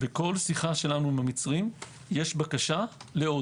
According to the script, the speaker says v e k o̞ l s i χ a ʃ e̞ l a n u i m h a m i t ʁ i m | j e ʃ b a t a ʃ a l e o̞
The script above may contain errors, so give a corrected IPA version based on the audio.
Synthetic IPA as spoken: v e k o̞ l s i χ a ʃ e̞ l a n u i m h a m i t͡s ʁ i m | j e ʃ b a k a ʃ a l e o̞